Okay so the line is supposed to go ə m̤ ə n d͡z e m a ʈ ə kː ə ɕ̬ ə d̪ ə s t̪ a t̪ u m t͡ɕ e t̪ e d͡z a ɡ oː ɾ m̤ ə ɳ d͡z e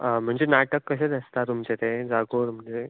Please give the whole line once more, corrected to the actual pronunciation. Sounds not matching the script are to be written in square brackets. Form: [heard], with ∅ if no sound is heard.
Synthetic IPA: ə m̤ ə [ɳ] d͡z e [n] a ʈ ə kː ə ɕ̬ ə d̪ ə s t̪ a t̪ u m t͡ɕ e t̪ e d͡z a ɡ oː ɾ m̤ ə ɳ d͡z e

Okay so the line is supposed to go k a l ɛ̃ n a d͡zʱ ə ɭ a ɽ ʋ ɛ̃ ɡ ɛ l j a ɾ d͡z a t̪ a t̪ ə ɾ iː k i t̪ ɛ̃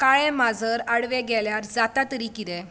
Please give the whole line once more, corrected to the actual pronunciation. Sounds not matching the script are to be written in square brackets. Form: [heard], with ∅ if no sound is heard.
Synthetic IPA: k a [ɭ] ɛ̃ [m] a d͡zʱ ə [ɾ] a ɽ ʋ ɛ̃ ɡ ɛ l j a ɾ d͡z a t̪ a t̪ ə ɾ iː k i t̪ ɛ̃

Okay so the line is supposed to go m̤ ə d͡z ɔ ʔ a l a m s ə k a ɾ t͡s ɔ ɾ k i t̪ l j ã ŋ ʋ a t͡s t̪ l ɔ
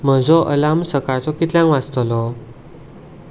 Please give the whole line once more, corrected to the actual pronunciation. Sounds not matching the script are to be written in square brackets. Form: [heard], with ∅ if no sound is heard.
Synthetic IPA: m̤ ə d͡z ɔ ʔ [ə] l a m s ə k a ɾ t͡s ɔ [∅] k i t̪ l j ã ŋ ʋ a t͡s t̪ l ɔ

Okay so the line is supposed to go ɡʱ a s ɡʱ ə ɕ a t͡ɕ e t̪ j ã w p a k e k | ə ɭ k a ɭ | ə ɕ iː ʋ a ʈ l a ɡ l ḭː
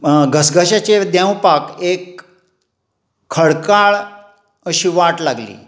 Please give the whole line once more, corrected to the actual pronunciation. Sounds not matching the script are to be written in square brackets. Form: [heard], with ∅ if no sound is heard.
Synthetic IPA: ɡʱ [ə] s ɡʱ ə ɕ a t͡ɕ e [d̪] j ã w p a k e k | ə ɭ k a ɭ | ə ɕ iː ʋ a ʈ l a ɡ l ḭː

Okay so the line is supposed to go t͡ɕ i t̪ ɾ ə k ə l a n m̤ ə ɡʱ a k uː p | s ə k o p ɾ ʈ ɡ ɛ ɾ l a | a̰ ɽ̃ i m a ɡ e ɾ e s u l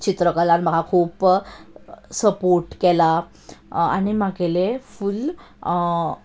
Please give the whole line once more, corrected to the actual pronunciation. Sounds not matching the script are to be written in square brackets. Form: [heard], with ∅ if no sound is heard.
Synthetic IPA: t͡ɕ i t̪ ɾ ə k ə l a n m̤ ə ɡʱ a [kʰ] uː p | s ə [p] o [∅] ɾ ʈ [k] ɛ [∅] l a | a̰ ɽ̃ i m a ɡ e [l] e [f] u l

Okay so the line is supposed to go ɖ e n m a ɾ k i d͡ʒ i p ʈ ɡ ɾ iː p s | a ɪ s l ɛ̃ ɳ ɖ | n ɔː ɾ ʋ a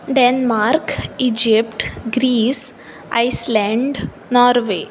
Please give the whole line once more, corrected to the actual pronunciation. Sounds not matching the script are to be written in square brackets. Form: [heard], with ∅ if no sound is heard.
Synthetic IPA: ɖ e n m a ɾ k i d͡ʒ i p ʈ ɡ ɾ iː [∅] s | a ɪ s l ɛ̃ ɳ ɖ | n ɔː ɾ ʋ [e]

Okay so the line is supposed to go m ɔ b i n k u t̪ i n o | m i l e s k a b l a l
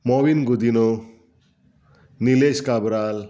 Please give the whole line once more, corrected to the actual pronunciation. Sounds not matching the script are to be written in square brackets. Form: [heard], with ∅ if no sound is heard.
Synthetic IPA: m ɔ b i n [ɡ] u [d̪] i n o | [n] i l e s k a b [ɾ] a l

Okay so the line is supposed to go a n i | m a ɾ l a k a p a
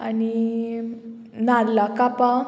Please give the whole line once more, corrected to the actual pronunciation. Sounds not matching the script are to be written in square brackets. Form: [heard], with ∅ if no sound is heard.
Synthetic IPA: a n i | [n] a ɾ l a k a p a

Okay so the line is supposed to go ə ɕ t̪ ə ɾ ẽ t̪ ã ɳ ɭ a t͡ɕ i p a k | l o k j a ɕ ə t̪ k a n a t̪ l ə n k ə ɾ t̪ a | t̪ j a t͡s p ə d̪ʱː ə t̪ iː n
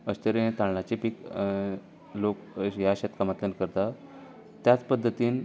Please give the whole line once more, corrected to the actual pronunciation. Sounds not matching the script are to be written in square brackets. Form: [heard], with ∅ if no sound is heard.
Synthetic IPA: ə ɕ t̪ ə ɾ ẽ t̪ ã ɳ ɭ a t͡ɕ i p [i] k | l o k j a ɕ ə t̪ k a [m] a t̪ l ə n k ə ɾ t̪ a | t̪ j a t͡s p ə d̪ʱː ə t̪ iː n

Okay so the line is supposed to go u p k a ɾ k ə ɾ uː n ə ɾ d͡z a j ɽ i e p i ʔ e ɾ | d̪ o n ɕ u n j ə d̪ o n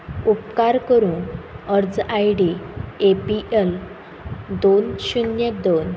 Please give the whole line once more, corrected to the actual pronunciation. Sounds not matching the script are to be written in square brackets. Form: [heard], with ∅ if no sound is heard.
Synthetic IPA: u p k a ɾ k ə ɾ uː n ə ɾ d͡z a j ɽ i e p i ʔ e [l] | d̪ o n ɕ u n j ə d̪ o n

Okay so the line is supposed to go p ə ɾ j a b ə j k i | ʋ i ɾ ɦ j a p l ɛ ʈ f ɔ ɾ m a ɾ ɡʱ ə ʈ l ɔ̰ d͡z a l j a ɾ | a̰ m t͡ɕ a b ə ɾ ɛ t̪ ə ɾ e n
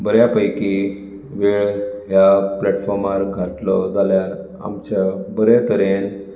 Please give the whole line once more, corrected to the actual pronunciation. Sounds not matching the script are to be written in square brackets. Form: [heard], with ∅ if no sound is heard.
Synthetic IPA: [b] ə ɾ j a [p] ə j k i | ʋ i [ɭ] ɦ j a p l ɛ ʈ f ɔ ɾ m a ɾ ɡʱ [a] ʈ l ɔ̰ d͡z a l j a ɾ | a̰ m t͡ɕ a b ə ɾ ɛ t̪ ə ɾ e n

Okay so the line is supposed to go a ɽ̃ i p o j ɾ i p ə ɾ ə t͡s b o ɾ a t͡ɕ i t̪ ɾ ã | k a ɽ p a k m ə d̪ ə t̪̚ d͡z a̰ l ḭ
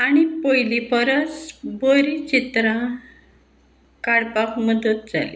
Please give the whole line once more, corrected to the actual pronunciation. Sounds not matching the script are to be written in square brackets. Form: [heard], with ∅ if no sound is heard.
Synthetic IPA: a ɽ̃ i p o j [l] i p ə ɾ ə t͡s b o ɾ [i] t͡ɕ i t̪ ɾ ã | k a ɽ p a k m ə d̪ ə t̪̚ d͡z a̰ l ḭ

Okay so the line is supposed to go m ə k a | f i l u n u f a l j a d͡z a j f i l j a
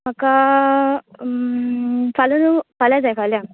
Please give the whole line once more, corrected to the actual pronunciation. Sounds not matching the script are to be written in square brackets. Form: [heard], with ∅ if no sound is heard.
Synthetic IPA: m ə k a | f [a] l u n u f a l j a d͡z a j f [a] l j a

